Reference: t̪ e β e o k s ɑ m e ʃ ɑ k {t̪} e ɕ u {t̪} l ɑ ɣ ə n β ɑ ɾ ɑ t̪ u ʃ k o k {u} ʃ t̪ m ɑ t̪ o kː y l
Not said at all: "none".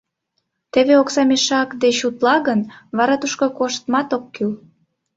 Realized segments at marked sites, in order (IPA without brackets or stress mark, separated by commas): d̪, t̪, o